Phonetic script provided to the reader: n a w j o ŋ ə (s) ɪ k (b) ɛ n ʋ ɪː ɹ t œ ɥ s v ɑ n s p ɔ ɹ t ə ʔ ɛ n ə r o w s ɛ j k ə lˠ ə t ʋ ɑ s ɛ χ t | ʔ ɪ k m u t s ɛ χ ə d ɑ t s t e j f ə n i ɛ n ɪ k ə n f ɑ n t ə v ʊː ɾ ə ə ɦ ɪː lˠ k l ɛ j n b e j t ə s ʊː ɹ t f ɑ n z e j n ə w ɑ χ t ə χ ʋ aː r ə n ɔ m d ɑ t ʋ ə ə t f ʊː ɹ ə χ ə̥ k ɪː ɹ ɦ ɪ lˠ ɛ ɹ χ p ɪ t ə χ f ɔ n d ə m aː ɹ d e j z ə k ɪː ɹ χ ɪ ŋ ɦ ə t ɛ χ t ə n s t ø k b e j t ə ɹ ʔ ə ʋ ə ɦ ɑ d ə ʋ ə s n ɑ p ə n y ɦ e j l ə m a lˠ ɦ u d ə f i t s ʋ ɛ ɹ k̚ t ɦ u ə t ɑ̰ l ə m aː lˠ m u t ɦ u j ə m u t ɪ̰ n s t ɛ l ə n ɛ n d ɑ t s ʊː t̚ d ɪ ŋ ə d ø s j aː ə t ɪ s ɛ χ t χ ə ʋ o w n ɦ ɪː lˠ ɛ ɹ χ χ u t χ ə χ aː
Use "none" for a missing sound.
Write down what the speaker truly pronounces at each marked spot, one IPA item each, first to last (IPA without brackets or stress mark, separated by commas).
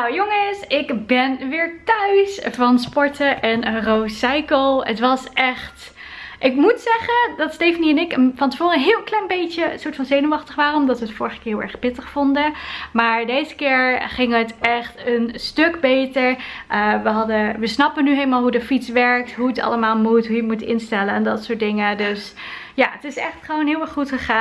s, b